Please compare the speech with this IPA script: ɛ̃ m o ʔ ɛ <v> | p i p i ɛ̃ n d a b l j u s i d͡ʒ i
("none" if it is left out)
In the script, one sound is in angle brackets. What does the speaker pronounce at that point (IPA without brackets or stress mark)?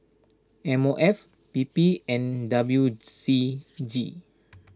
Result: f